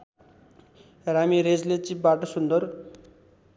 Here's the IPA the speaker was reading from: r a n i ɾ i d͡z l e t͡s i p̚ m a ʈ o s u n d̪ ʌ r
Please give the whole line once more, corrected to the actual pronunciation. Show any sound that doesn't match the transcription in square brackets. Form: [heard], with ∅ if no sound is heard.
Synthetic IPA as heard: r a [m] i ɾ [e] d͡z l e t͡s i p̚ [b] a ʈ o s u n d̪ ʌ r